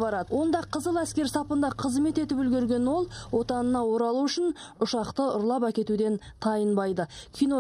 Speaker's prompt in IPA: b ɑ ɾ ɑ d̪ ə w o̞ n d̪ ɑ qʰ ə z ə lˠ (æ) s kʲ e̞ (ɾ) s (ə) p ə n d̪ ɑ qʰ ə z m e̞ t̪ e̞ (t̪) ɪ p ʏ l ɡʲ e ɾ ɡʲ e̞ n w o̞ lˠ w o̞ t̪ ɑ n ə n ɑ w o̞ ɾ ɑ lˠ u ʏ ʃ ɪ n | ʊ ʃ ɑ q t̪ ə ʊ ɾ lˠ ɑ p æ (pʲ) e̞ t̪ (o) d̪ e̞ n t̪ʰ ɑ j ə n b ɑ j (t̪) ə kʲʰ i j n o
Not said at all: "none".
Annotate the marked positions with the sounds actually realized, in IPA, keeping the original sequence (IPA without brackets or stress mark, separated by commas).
æ, ɾ, ɑ, t̪, kʲ, u, d̪